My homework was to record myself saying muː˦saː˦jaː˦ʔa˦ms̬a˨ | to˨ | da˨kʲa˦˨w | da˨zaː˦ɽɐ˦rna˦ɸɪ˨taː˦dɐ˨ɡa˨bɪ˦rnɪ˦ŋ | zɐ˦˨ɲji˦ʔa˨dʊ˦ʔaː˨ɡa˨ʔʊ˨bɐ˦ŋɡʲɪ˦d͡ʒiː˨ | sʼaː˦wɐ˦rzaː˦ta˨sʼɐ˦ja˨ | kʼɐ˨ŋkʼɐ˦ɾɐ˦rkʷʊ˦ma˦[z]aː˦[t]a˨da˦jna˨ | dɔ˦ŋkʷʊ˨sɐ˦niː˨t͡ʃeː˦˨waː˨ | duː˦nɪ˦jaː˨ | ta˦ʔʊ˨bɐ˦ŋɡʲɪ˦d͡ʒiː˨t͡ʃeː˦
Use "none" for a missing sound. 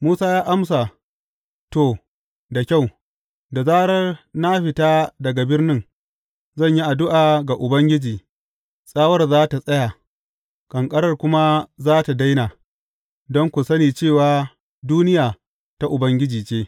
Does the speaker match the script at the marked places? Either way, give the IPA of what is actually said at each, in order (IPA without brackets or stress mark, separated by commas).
z, t